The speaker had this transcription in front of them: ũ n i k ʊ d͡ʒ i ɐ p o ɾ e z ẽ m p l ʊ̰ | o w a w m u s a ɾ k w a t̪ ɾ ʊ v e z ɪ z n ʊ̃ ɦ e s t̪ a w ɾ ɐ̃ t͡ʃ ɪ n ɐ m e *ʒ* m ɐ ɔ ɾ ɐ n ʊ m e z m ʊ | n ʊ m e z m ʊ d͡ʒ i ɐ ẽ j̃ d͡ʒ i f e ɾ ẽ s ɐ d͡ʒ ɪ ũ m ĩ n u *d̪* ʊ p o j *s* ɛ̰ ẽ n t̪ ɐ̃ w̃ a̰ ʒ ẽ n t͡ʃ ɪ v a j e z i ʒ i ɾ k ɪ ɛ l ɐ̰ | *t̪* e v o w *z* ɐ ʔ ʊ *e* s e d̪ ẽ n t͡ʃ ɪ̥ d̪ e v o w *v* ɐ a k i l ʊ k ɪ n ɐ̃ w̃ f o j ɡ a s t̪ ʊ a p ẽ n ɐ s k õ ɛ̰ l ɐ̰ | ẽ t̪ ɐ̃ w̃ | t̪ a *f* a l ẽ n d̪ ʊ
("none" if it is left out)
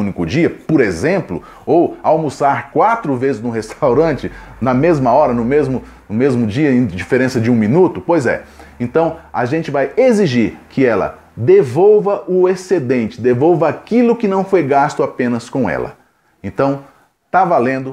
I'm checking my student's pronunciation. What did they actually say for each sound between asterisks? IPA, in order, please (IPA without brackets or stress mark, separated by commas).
z, t̪, z, d̪, v, e, v, v